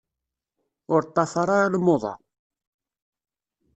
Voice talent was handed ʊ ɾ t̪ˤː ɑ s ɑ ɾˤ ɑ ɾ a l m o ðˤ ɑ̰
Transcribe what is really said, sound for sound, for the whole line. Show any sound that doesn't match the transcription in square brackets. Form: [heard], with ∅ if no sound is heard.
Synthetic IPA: ʊ ɾ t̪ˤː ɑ [f] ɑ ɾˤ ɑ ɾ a l m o ðˤ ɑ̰